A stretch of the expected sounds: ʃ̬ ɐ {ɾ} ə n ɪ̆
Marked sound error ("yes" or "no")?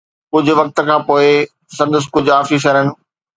no